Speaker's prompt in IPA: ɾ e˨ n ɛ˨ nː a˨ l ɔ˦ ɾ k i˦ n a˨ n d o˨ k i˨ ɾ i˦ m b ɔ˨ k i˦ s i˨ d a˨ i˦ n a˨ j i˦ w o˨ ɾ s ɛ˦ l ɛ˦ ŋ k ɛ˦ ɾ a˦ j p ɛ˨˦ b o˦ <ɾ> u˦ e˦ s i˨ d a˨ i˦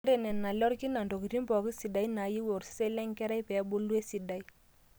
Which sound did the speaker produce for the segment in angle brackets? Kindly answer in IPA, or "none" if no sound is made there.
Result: l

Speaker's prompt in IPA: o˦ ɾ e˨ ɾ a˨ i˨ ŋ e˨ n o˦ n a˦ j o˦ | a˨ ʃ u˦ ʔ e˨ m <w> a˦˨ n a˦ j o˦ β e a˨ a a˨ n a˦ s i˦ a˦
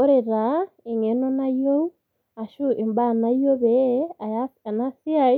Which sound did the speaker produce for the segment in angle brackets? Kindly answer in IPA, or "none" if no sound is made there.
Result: b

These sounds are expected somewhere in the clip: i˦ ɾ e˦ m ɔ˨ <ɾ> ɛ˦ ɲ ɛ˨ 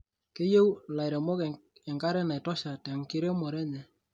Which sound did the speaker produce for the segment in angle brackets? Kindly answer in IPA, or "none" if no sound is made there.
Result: ɾ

